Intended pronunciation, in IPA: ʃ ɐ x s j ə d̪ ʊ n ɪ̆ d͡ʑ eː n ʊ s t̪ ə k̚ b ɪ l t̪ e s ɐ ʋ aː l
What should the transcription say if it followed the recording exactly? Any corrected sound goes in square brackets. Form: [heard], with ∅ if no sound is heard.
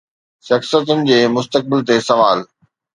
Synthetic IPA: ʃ ɐ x s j ə [t̪] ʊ n ɪ̆ d͡ʑ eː [m] ʊ s t̪ ə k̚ b ɪ l t̪ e s ɐ ʋ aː l